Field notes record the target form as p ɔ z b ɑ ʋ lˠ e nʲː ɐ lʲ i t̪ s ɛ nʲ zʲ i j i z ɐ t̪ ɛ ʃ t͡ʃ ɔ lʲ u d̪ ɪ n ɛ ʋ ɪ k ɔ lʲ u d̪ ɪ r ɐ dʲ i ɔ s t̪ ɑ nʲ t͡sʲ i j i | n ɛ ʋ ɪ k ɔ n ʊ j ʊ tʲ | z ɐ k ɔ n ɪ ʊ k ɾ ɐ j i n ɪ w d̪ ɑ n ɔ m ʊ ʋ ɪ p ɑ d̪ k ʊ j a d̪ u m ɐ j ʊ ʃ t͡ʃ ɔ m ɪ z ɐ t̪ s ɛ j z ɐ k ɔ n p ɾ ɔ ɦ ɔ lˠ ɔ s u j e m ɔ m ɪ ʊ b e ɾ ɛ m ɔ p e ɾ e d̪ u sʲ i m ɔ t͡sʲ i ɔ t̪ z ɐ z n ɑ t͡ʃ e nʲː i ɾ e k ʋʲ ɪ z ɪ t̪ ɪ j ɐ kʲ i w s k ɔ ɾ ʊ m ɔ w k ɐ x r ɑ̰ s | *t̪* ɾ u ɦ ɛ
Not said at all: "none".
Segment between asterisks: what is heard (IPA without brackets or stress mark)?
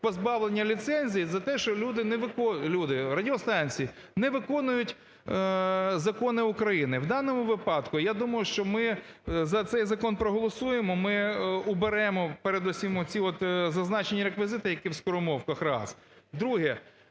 d̪